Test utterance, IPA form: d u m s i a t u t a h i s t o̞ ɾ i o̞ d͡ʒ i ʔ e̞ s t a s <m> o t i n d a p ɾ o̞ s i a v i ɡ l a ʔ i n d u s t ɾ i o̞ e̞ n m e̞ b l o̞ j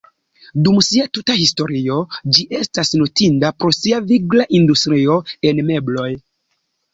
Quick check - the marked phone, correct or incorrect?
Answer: incorrect